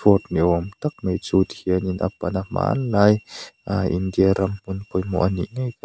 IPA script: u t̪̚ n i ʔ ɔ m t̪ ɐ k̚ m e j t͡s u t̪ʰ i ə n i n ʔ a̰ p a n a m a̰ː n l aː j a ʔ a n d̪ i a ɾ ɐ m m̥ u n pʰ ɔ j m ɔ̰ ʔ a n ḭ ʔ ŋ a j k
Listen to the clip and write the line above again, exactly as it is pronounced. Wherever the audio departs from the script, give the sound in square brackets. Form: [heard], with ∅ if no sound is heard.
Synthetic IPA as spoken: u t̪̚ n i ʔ ɔ m t̪ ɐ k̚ m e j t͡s u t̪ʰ i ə n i n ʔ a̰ p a n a m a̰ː n l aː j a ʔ [i] n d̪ i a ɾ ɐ m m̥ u n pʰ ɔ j m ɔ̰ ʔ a n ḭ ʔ ŋ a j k